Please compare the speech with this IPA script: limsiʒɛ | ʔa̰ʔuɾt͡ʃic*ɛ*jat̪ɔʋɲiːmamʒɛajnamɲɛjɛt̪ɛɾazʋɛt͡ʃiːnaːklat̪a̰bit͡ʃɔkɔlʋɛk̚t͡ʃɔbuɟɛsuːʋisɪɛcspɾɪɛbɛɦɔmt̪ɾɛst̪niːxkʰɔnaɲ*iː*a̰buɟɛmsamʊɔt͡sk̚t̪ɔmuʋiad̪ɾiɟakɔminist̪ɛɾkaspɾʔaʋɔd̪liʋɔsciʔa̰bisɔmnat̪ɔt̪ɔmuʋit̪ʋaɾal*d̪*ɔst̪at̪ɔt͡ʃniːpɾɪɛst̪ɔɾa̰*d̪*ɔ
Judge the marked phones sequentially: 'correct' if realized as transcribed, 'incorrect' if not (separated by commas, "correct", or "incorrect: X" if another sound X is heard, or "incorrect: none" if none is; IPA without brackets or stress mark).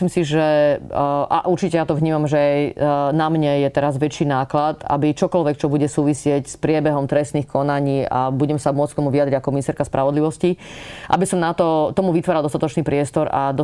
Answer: correct, correct, correct, correct